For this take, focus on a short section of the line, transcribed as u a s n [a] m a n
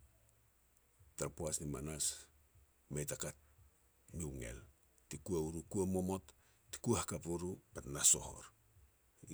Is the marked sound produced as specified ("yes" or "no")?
no